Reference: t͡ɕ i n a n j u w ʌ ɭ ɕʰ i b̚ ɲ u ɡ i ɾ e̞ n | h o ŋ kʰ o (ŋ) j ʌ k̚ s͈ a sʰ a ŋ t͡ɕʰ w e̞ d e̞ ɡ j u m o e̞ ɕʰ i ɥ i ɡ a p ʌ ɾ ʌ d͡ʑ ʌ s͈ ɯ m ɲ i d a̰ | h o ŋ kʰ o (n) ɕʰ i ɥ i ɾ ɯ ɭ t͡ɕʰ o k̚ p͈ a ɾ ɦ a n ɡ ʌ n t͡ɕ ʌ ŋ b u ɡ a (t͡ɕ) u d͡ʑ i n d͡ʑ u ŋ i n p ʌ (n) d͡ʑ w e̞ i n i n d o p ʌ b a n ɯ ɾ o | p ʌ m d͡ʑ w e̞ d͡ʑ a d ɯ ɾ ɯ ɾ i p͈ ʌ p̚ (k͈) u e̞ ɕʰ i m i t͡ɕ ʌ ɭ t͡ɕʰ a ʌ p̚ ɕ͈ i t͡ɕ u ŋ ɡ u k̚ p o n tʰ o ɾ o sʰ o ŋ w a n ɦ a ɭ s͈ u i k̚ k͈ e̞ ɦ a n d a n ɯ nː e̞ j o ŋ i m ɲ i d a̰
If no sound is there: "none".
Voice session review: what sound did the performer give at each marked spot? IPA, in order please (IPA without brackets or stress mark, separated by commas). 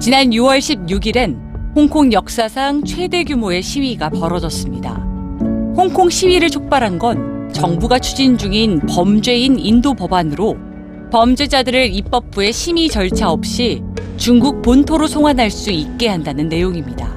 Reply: ŋ, ŋ, t͡ɕʰ, m, p͈